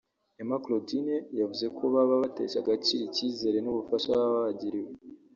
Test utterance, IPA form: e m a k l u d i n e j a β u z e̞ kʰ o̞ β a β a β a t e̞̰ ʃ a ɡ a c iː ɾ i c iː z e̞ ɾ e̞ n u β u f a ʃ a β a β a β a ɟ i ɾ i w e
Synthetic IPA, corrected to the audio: e m a k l o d i n e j a v u z e̞ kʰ o̞ β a β a β a t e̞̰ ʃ a ɡ a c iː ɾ i c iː z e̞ ɾ e̞ n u β u f a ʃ a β a β a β a ɟ i ɾ i w e